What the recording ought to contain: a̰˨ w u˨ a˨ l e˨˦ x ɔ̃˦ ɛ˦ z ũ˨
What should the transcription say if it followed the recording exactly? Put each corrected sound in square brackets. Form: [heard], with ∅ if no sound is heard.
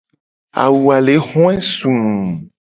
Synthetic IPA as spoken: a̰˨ w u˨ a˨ l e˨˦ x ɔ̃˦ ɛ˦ [s] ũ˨